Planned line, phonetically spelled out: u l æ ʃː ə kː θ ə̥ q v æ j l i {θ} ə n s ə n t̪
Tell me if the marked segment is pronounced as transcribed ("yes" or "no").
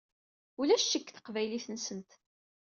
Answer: yes